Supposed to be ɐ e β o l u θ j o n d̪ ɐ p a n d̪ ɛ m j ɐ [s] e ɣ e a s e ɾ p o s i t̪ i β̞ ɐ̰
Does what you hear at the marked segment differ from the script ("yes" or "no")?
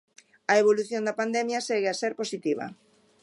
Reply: no